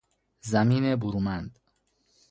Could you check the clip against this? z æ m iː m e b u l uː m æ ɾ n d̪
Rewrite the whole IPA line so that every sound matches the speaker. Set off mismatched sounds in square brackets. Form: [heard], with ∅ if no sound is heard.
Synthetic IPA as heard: z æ m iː [n] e b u [ɾ] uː m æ [∅] n d̪